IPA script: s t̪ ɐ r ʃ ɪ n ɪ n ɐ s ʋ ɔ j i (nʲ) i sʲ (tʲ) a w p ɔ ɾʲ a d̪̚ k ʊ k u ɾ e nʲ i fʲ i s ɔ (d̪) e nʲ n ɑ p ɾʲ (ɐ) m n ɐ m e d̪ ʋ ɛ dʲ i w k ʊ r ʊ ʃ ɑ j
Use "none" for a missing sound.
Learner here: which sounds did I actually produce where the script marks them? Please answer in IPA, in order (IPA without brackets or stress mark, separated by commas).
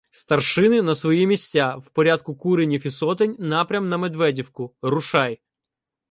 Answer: mʲ, tʲ, t̪, ɐ